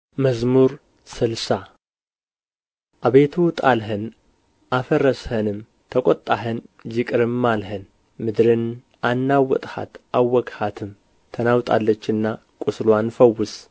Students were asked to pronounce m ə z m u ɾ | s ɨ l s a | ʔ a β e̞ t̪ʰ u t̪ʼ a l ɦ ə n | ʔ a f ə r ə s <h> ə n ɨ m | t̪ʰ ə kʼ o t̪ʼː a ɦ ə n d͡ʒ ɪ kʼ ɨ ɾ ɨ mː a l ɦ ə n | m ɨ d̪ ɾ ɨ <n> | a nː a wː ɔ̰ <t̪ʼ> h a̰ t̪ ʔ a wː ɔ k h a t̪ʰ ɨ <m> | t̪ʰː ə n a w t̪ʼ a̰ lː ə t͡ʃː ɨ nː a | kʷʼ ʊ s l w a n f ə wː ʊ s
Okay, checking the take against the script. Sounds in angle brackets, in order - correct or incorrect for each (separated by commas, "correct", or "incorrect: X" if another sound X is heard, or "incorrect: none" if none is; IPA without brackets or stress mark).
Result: correct, correct, correct, correct